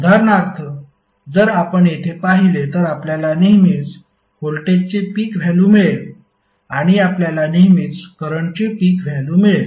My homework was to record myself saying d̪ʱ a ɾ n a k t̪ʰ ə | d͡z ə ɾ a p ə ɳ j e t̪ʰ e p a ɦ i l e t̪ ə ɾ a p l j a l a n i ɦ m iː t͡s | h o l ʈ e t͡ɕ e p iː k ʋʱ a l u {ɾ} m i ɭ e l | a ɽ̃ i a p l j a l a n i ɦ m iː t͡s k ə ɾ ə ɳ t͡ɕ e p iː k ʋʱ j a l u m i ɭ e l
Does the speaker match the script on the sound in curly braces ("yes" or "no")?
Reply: no